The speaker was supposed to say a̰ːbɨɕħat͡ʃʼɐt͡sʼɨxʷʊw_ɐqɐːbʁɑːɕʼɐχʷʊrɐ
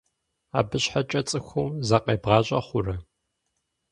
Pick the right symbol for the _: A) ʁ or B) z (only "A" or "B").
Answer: B